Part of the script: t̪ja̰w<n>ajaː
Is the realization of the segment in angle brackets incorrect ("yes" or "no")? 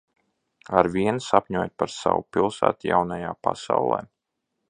no